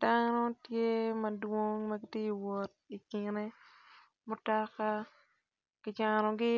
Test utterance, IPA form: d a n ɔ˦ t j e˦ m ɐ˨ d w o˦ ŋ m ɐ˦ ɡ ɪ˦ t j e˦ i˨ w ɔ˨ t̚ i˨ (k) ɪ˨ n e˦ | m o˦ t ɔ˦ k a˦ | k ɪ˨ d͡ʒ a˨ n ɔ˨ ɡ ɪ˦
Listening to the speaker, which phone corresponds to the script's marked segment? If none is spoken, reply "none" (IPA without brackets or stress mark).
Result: k